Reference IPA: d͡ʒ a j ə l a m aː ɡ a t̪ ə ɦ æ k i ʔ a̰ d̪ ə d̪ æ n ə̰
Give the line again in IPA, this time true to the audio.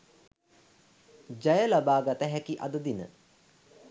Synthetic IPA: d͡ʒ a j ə l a b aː ɡ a t̪ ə ɦ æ k i ʔ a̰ d̪ ə d̪ i n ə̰